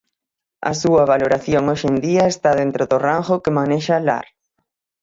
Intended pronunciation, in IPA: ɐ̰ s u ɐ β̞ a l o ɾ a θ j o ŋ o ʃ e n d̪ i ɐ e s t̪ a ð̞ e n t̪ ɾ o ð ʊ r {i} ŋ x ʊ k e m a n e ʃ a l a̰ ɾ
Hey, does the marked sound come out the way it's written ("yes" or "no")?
no